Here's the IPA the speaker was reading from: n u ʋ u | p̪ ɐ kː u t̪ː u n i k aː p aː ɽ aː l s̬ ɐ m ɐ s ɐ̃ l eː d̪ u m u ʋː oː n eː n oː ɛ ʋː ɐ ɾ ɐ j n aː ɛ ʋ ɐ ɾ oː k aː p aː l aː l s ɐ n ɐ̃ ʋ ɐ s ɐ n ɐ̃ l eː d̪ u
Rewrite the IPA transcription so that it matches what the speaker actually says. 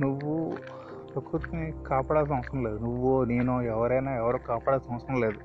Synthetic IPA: n u ʋː u | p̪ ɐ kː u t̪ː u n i k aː p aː ɽ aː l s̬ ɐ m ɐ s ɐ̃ l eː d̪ u n u ʋː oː n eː n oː ɛ ʋ ɐ ɾ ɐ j n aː ɛ ʋ ɐ ɾ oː k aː p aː ɽ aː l s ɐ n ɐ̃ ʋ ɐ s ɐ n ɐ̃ l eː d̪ u